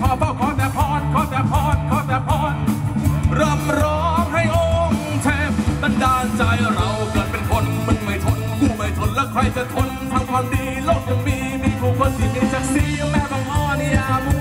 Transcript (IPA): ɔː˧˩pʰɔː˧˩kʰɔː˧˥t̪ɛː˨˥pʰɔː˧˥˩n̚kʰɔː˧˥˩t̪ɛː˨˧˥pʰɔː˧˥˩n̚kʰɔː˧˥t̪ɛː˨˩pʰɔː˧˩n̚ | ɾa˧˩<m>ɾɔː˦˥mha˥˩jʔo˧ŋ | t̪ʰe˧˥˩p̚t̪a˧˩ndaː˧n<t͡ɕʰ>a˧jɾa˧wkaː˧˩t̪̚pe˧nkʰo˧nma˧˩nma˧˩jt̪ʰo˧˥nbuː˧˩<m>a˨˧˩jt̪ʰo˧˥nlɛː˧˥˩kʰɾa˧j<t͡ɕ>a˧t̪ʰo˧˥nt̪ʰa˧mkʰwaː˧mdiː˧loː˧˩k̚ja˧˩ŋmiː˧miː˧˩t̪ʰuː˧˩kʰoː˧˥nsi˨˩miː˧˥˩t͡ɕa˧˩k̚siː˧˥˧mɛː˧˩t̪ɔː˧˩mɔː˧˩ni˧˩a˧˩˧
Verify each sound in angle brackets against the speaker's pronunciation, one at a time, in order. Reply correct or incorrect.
correct, incorrect: t͡ɕ, correct, correct

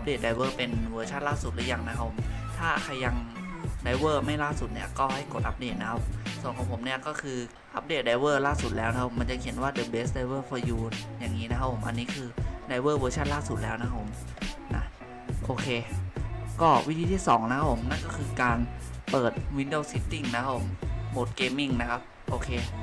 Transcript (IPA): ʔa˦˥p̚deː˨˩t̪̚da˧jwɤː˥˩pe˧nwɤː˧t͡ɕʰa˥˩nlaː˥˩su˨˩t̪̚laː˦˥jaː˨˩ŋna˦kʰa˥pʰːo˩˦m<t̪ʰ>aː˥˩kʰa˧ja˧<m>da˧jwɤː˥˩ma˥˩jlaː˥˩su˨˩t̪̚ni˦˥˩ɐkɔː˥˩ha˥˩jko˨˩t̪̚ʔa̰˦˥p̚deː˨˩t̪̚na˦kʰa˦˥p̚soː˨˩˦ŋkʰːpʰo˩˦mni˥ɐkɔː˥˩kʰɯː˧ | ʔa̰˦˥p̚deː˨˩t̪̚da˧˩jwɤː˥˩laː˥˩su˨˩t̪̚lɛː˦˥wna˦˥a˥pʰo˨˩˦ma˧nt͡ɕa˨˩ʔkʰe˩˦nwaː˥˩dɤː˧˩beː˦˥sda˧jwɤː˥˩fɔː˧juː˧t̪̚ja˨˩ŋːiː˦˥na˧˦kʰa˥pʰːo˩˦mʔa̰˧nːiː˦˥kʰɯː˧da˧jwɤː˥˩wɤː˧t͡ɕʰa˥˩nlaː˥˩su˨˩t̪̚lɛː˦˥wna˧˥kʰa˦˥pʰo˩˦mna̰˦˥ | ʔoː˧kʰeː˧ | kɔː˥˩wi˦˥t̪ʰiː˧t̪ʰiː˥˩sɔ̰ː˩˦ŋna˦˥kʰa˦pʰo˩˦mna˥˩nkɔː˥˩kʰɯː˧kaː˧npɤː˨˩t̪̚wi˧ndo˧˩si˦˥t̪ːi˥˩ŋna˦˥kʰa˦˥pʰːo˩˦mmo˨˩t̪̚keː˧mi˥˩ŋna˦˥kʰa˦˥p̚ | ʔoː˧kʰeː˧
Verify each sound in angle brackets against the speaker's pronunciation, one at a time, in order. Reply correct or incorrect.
correct, incorrect: ŋ

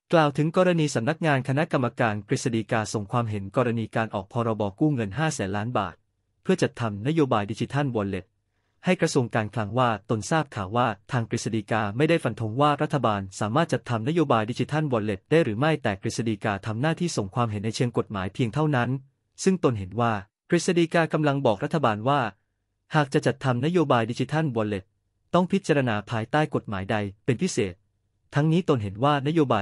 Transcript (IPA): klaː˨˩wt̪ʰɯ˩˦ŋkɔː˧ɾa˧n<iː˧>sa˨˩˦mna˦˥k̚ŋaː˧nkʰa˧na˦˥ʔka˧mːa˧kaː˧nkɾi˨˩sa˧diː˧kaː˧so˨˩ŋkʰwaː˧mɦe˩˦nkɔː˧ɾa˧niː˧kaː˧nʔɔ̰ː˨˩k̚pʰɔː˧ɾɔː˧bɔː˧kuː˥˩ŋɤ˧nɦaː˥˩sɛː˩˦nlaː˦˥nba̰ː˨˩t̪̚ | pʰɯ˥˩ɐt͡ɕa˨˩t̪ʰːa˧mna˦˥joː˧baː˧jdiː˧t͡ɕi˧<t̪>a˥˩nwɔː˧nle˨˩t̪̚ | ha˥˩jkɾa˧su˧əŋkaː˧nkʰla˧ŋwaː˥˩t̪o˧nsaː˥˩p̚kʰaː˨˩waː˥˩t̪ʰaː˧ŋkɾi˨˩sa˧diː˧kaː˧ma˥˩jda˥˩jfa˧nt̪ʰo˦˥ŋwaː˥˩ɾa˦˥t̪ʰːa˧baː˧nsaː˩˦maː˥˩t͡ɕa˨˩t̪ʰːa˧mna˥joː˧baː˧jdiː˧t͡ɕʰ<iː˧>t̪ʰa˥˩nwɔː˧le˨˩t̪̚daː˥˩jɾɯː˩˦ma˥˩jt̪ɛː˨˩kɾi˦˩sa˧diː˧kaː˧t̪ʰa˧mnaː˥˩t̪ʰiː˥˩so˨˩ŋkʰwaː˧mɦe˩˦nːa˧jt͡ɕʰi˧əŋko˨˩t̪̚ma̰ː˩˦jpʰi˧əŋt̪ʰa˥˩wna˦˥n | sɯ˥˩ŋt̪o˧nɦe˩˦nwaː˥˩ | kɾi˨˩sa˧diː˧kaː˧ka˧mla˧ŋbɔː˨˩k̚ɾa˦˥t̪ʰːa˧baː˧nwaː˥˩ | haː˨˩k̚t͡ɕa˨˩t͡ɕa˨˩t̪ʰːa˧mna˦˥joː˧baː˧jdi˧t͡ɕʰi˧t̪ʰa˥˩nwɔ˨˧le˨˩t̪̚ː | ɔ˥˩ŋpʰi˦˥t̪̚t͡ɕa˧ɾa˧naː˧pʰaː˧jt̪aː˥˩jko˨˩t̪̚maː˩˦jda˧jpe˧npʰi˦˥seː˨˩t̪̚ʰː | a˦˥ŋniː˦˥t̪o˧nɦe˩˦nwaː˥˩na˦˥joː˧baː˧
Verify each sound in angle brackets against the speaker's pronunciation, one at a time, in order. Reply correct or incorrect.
correct, incorrect: t̪ʰ, incorrect: i˧

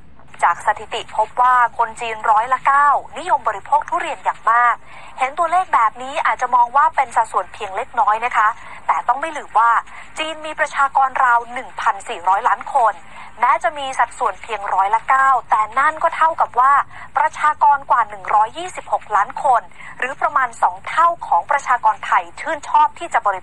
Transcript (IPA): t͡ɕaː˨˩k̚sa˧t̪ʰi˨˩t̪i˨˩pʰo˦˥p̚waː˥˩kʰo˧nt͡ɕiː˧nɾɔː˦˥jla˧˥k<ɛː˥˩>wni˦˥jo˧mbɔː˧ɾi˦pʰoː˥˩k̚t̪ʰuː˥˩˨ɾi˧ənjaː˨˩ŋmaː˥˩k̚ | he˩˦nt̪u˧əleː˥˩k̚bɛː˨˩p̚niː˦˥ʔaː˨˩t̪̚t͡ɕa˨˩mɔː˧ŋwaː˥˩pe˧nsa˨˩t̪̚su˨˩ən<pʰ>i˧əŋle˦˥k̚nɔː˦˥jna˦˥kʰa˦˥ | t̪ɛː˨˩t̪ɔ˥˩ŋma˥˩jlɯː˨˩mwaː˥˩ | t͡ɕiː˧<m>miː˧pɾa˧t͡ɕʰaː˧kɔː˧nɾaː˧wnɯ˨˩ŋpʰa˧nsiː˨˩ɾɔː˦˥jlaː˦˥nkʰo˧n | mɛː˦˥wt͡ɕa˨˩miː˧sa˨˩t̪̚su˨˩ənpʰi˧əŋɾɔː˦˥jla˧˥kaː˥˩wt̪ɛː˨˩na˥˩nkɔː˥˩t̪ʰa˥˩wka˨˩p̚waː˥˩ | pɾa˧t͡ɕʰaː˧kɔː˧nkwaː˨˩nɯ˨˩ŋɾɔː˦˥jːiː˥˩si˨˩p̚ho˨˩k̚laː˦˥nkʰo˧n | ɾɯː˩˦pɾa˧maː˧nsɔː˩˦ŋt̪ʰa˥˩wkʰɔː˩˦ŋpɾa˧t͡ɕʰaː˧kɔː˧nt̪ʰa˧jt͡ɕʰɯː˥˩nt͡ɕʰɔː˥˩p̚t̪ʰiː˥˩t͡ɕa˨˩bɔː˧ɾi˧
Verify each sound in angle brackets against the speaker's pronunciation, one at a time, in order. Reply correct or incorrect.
incorrect: aː˥˩, correct, incorrect: n

